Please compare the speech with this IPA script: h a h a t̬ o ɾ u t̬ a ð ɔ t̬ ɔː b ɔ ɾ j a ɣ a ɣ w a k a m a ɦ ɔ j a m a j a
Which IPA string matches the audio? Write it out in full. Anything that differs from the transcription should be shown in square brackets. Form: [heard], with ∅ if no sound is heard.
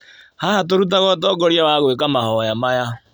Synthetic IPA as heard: h a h a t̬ o ɾ u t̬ a [ɣ] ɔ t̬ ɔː [ɡ] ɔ ɾ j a [w] a ɣ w [e] k a m a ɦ ɔ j a m a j a